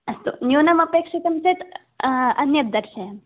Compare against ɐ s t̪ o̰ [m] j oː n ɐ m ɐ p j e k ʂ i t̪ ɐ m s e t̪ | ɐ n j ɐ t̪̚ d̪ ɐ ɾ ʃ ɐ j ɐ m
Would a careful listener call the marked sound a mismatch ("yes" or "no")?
yes